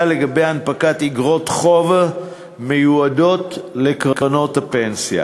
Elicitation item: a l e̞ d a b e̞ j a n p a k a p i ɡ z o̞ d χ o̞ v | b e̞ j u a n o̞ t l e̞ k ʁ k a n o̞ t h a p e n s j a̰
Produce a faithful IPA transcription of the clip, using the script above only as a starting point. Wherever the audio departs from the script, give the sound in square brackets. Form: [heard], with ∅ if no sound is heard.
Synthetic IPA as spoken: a l e̞ [ɡ] a b e̞ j a n p a k a [t] i ɡ [ʁ] o̞ [t] χ o̞ v | [m] e̞ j u a [d] o̞ t l e̞ k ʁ k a n o̞ t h a p e n s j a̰